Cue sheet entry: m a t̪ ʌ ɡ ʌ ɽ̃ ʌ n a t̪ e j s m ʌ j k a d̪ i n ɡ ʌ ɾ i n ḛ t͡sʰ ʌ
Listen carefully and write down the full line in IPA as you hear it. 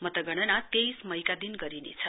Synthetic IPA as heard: m ʌ t̪ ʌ ɡ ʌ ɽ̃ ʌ n a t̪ e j s m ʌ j k a d̪ i n ɡ ʌ ɾ i n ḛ t͡sʰ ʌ